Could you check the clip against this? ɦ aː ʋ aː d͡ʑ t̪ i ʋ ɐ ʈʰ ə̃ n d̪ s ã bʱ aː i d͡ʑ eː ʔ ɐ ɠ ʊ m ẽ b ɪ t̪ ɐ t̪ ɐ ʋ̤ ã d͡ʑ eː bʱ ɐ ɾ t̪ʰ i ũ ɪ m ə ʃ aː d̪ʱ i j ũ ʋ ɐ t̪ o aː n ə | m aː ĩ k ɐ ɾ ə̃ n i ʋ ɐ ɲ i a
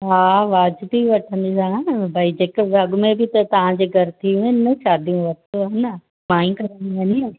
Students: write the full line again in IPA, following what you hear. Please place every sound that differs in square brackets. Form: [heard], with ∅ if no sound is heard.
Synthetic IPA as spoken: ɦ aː ʋ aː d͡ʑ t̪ i ʋ ɐ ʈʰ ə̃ n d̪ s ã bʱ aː i d͡ʑ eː [k] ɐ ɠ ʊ m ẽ b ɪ t̪ ɐ t̪ ɐ ʋ̤ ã d͡ʑ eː [ɡʱ] ɐ ɾ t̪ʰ i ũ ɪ [n] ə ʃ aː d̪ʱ i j ũ ʋ ɐ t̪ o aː n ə | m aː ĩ k ɐ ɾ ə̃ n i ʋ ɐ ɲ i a